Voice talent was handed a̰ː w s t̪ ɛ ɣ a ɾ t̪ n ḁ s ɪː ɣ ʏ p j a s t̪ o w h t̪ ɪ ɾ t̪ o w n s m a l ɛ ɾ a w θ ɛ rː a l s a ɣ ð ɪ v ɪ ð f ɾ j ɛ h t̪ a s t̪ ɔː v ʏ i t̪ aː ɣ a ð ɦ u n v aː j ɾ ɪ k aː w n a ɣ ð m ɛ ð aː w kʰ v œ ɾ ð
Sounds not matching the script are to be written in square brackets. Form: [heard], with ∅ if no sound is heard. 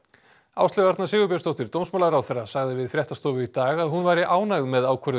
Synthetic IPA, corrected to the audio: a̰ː w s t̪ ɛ ɣ a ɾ t̪ n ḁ s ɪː ɣ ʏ p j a s t̪ o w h t̪ ɪ ɾ t̪ o w n s m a l [a] ɾ a w θ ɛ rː a [∅] s a ɣ ð ɪ v ɪ ð f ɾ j ɛ h t̪ a s t̪ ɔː v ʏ i t̪ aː ɣ a ð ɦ u n v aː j ɾ ɪ [ʔ] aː w n a ɣ ð m ɛ ð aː w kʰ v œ ɾ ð